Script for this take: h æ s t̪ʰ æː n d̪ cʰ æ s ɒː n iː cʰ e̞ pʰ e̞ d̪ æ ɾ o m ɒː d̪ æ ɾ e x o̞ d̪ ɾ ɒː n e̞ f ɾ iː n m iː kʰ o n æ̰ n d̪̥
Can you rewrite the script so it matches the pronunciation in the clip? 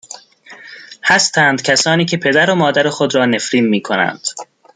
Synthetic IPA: h æ s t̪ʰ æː n d̪ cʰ æ s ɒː n iː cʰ e̞ pʰ e̞ d̪ æ ɾ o m ɒː d̪ æ ɾ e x o̞ d̪ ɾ ɒː n e̞ f ɾ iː n m iː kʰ o n æ̰ n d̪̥